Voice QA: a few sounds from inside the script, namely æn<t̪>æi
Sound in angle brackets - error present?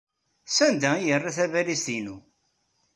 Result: yes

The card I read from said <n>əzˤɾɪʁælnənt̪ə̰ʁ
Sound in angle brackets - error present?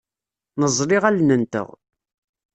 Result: no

